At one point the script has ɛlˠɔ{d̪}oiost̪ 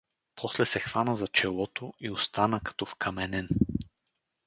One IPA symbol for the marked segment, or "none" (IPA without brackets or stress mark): t̪